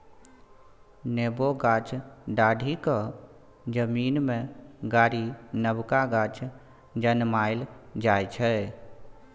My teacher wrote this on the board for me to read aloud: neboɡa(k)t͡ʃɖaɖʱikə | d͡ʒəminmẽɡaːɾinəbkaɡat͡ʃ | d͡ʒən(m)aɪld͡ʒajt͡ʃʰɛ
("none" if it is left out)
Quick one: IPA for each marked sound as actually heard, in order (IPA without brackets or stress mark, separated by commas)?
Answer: none, m